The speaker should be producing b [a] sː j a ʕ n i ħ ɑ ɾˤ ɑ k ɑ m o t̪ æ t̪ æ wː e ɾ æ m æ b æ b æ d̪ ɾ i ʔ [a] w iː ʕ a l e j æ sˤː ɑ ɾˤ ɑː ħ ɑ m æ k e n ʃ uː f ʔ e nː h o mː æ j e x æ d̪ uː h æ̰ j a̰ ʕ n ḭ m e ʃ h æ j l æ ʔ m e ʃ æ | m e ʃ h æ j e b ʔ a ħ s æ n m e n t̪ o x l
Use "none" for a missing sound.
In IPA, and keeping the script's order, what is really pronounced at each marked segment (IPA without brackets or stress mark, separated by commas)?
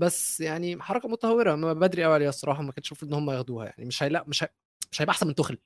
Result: æ, æ